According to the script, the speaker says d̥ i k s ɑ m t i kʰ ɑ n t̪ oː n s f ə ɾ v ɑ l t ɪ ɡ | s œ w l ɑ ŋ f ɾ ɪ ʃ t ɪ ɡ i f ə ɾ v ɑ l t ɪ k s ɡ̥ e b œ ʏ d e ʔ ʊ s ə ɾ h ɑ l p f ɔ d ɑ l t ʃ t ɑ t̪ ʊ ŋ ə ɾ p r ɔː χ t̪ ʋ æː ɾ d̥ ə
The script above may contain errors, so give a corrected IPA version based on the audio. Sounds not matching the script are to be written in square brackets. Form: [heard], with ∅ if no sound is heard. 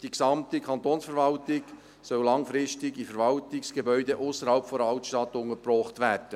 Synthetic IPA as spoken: d̥ i k s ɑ m t i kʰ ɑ n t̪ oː n s f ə ɾ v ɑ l t ɪ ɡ | s œ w l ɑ ŋ f ɾ ɪ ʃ t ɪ ɡ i f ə ɾ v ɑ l t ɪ k s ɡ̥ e b œ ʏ d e ʔ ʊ s ə ɾ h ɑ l p f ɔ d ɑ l t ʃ t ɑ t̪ ʊ ŋ ə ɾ p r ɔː χ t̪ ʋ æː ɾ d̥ ə